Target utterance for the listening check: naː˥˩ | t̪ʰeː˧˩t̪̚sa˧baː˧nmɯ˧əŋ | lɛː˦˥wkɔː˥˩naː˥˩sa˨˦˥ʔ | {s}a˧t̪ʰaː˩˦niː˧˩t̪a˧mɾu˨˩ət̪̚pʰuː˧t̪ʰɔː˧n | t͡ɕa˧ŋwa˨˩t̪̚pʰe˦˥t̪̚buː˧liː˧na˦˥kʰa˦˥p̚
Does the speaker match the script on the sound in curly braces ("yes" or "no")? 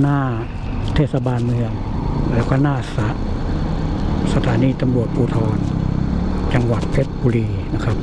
yes